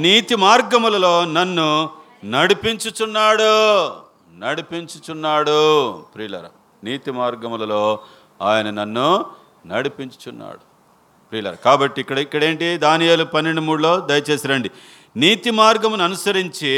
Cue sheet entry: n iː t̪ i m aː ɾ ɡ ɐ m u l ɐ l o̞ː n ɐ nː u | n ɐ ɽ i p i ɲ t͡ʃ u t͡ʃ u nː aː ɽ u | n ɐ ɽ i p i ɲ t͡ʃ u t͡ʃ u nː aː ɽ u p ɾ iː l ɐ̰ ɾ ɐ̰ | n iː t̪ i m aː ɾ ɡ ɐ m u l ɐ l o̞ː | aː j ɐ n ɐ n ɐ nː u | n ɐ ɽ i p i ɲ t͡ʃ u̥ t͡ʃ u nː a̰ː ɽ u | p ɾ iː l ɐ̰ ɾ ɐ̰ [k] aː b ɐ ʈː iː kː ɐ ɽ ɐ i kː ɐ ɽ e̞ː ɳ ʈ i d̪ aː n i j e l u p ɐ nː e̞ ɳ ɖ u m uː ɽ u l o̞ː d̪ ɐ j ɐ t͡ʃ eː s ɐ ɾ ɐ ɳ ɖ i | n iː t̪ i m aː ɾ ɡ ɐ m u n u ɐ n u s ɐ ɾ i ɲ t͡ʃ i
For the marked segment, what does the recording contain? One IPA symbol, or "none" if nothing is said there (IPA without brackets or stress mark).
k